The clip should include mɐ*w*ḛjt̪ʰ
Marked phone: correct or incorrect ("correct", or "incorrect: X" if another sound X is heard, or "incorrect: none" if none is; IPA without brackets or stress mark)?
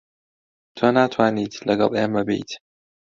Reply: incorrect: b